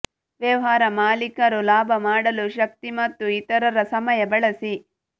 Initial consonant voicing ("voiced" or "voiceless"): voiced